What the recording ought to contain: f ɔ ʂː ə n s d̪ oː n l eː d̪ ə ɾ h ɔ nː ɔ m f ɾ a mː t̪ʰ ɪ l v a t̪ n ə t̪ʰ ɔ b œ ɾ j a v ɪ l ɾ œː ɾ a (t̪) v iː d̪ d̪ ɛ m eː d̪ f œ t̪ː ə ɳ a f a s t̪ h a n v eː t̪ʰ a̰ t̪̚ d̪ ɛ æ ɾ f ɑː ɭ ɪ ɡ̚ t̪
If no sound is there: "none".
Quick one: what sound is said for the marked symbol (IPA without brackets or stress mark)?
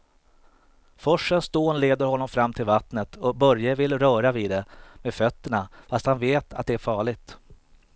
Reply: none